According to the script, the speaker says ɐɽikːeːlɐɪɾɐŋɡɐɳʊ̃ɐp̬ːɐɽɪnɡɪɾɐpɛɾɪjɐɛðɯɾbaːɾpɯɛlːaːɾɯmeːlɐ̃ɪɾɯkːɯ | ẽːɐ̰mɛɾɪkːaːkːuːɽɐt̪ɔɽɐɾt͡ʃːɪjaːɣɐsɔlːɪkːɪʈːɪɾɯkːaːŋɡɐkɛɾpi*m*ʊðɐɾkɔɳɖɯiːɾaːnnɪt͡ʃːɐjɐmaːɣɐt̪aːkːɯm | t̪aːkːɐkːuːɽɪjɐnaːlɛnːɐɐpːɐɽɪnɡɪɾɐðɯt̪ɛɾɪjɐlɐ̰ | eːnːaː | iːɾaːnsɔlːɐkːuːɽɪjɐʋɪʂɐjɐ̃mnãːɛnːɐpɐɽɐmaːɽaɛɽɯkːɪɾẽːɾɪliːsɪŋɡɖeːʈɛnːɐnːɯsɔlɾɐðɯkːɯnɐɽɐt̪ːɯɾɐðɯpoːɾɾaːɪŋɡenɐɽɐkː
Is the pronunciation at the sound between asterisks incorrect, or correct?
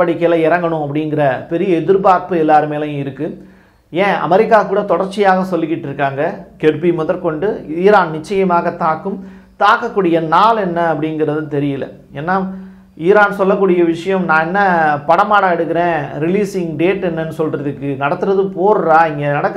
correct